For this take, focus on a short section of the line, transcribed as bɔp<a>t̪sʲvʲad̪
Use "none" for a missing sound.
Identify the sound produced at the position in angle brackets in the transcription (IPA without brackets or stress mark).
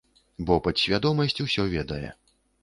ɐ